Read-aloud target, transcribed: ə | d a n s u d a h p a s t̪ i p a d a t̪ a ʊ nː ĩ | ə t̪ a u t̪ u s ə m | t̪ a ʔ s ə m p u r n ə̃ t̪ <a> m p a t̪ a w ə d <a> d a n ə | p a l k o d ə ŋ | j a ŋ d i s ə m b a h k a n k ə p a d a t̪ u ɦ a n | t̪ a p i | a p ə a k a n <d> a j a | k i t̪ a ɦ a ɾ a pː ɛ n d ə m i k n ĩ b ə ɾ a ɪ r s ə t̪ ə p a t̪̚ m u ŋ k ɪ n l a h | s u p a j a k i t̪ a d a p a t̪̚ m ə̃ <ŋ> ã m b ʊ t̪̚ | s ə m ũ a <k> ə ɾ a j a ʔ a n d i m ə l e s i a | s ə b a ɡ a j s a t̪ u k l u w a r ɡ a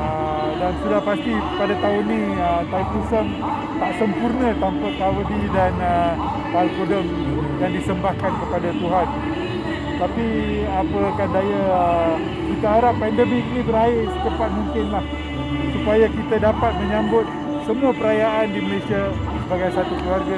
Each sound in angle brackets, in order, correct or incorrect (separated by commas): correct, incorrect, correct, incorrect, incorrect